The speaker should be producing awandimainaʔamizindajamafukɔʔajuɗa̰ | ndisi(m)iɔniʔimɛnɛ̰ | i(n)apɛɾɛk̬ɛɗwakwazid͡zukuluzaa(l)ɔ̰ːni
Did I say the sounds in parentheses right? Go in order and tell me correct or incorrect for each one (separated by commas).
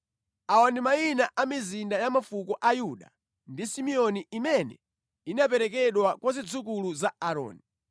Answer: correct, correct, incorrect